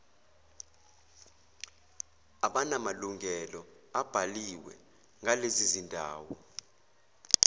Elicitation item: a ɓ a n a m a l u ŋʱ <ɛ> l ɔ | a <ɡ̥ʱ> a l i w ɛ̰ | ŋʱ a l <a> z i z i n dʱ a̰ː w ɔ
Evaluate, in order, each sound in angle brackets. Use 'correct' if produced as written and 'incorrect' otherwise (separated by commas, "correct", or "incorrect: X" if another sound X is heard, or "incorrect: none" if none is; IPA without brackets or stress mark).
correct, incorrect: b̥ʱ, incorrect: e